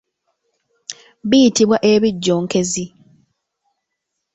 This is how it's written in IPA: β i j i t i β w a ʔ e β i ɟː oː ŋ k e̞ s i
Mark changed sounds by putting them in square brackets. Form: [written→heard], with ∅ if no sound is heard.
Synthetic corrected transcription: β i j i t i β w a ʔ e β i ɟː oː ŋ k e̞ [s→z] i